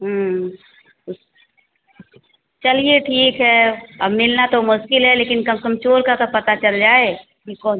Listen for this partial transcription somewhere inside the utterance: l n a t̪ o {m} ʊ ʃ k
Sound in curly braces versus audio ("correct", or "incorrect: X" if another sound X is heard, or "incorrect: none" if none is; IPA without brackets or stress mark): correct